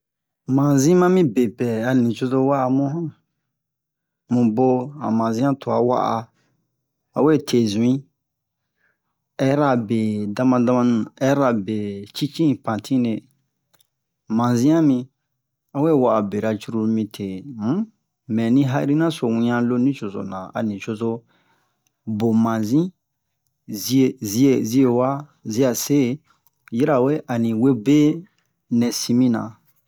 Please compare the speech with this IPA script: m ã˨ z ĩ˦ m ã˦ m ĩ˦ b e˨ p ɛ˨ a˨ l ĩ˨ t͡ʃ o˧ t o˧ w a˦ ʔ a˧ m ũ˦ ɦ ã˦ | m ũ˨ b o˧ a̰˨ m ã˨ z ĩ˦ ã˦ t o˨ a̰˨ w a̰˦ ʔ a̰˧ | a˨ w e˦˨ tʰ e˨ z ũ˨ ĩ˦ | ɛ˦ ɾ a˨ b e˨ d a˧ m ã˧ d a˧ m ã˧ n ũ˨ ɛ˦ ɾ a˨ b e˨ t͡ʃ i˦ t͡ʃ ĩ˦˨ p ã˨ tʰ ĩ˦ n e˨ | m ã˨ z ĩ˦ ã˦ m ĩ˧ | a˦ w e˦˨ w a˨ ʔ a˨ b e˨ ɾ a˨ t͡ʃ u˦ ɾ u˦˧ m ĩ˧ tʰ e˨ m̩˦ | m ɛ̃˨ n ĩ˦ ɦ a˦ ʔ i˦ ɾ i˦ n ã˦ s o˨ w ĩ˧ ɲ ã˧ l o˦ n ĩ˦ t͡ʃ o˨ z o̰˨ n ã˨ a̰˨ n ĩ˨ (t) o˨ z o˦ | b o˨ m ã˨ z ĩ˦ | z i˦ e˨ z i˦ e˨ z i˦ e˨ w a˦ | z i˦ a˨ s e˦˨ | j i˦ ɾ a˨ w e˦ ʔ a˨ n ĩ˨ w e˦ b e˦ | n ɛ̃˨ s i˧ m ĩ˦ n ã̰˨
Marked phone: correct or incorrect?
incorrect